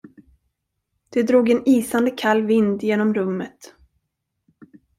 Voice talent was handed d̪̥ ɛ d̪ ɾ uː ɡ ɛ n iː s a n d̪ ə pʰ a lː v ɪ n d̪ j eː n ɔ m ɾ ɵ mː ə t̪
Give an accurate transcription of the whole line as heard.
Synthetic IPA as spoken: d̪̥ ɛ d̪ ɾ uː ɡ ɛ n iː s a n d̪ ə kʰ a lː v ɪ n d̪ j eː n ɔ m ɾ ɵ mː ə t̪